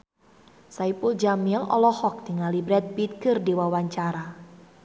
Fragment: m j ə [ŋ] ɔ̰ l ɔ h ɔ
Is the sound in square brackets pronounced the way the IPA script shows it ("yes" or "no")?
yes